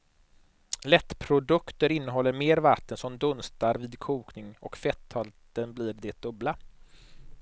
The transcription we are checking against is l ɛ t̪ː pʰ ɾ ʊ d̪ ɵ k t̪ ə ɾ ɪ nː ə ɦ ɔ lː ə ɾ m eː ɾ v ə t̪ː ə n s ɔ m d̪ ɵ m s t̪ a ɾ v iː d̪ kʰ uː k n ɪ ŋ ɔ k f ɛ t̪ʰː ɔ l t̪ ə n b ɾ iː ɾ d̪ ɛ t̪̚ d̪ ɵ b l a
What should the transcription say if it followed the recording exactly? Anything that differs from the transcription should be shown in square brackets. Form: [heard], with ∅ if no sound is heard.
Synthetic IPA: l ɛ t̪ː pʰ ɾ ʊ d̪ ɵ k t̪ ə ɾ ɪ nː ə ɦ ɔ lː ə ɾ m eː ɾ v [a] t̪ː ə n s ɔ m d̪ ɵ [n] s t̪ a ɾ v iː d̪ kʰ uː k n ɪ ŋ ɔ k f ɛ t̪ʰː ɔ l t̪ ə n b [l] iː ɾ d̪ ɛ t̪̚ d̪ ɵ b l a